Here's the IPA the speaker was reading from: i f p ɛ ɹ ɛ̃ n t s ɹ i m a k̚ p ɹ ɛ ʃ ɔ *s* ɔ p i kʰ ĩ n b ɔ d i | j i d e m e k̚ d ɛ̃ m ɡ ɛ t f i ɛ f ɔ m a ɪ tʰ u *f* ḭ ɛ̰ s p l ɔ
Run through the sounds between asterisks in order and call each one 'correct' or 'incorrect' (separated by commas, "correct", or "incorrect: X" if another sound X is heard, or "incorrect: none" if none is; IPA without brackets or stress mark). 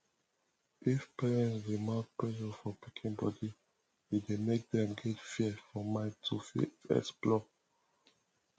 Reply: incorrect: f, correct